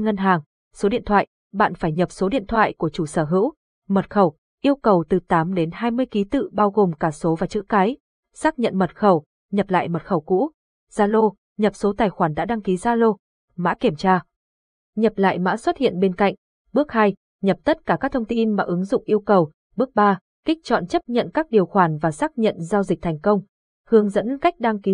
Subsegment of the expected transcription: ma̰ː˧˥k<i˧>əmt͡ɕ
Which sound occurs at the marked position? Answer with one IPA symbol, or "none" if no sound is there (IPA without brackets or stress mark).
i˧˩